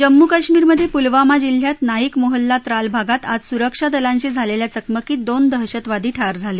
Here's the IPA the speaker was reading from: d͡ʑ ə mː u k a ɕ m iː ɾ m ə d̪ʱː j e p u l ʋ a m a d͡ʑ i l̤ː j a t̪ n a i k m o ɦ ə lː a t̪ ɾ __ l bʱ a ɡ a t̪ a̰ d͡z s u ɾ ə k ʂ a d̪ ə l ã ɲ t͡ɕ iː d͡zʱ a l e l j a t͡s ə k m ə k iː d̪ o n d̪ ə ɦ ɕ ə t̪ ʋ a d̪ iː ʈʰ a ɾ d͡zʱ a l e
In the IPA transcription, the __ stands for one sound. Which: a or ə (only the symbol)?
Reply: a